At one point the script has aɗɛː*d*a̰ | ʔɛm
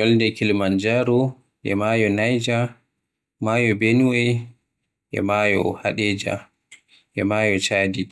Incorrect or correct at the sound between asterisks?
incorrect: d͡ʒ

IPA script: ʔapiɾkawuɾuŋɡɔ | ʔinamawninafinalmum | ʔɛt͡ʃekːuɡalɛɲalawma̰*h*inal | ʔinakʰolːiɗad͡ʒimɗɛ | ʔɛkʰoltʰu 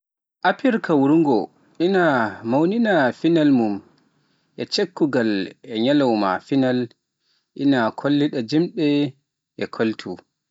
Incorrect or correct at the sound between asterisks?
incorrect: f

